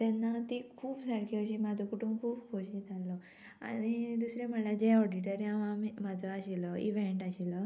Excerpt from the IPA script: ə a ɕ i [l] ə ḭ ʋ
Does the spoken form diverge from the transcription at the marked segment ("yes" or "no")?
no